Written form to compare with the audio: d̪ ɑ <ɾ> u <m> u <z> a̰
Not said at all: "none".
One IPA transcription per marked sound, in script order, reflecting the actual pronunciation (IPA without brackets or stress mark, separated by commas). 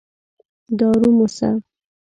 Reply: ɾ, m, s